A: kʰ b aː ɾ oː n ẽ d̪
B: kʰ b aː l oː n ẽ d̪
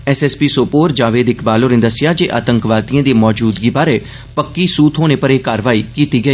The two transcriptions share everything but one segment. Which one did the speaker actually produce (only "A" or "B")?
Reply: B